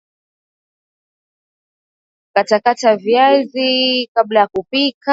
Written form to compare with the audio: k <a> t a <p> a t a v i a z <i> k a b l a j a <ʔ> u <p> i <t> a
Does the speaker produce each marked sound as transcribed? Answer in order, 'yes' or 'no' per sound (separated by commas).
yes, no, yes, no, yes, no